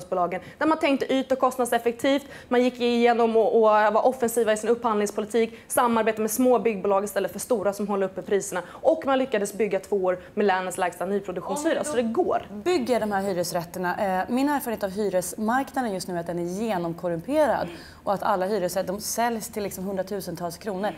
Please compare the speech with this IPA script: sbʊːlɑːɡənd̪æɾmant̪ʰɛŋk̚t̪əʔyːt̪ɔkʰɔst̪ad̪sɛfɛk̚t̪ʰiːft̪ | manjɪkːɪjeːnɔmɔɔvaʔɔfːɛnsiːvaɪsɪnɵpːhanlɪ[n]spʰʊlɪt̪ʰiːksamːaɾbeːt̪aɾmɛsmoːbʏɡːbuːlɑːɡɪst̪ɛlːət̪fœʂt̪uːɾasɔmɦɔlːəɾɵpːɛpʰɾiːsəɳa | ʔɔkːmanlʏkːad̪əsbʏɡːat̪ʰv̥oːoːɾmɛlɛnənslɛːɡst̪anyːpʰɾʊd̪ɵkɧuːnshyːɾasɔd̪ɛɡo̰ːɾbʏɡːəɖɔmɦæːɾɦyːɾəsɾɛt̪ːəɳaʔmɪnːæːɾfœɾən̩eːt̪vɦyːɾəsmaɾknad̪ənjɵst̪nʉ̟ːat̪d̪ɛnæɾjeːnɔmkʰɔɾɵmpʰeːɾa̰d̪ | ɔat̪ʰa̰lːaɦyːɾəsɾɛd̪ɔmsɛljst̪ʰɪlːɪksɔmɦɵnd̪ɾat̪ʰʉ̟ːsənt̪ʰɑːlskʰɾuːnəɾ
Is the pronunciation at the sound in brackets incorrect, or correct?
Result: incorrect